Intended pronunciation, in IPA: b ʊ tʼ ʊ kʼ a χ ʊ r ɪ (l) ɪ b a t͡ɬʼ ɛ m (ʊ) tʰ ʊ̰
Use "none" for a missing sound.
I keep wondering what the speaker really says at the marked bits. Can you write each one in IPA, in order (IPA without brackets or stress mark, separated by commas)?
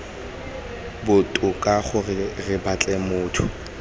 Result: r, ʊː